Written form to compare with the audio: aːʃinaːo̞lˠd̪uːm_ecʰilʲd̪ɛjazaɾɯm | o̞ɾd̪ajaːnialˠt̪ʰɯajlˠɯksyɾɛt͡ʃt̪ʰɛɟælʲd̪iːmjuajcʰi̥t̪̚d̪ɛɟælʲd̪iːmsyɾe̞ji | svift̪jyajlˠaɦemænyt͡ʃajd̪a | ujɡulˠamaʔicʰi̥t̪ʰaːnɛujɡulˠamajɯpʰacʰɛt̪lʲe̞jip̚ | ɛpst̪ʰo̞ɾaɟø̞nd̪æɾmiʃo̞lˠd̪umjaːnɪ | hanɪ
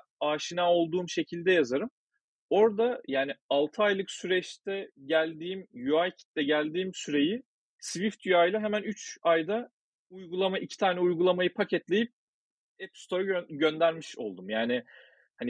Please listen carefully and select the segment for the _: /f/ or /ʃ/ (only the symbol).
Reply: ʃ